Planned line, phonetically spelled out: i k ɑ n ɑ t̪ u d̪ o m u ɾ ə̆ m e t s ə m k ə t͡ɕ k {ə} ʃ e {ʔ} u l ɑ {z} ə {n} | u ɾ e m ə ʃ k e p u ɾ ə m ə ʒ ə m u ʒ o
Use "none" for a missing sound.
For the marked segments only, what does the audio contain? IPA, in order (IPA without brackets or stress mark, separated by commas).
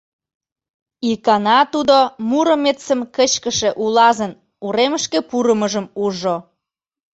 ə, ʔ, z, n